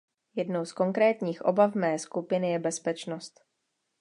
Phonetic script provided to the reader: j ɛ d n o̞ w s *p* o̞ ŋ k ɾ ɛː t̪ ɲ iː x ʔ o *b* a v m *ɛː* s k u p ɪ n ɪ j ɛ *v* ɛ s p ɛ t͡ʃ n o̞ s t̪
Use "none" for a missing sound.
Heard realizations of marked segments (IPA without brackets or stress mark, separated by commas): k, b, ɛː, b